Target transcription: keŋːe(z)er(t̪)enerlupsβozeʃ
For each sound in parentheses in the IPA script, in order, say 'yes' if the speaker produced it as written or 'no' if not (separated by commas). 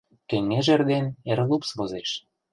no, no